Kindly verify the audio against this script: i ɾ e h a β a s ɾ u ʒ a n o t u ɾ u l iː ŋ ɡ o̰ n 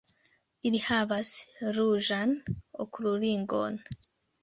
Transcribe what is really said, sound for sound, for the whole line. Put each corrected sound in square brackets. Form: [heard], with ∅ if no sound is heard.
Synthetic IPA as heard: i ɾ [i] h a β a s ɾ u ʒ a n o [k] u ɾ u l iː ŋ ɡ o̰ n